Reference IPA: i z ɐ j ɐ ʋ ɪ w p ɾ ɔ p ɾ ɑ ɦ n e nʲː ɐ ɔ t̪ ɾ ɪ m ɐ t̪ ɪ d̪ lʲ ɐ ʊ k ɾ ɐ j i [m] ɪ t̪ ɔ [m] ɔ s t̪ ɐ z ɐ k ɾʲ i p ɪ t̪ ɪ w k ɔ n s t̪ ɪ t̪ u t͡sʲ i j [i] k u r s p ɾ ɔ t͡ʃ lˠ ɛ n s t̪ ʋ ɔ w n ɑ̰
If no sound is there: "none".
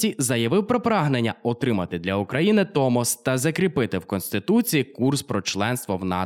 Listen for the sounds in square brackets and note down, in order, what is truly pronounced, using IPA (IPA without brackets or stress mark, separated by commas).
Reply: n, m, i